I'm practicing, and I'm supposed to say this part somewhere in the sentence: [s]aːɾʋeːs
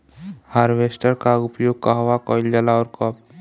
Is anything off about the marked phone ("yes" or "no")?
yes